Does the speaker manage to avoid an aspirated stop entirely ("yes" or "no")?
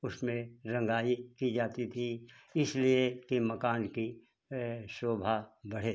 no